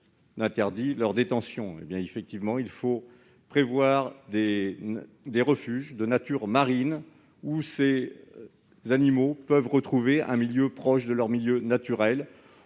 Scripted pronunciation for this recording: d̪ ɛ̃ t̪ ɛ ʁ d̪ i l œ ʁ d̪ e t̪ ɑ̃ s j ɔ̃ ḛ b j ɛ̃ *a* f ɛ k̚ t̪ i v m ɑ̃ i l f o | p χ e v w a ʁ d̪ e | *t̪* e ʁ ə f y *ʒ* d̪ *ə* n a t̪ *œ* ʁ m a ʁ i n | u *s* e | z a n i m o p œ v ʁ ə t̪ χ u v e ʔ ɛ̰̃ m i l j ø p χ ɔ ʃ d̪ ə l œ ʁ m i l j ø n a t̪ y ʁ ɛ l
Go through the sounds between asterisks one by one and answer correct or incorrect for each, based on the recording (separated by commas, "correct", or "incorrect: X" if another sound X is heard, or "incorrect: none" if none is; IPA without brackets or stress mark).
incorrect: e, incorrect: d̪, correct, correct, incorrect: y, correct